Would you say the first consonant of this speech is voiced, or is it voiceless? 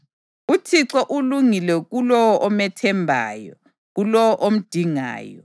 voiceless